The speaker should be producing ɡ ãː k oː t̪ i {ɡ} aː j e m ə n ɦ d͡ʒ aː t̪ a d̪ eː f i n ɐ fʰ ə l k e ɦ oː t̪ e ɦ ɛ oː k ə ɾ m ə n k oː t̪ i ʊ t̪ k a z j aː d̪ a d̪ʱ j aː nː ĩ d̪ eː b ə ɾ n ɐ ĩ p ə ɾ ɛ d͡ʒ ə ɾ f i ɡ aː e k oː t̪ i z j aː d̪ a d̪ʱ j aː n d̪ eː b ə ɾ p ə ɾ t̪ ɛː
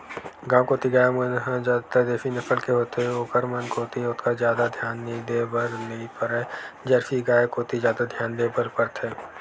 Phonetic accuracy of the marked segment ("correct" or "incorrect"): correct